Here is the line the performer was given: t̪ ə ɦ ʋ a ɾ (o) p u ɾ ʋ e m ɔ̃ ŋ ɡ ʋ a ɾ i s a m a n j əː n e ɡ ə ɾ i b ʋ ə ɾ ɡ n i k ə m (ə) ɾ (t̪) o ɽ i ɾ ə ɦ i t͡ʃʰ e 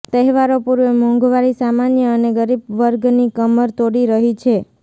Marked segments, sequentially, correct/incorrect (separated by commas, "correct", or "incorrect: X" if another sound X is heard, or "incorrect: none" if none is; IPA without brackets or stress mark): correct, correct, correct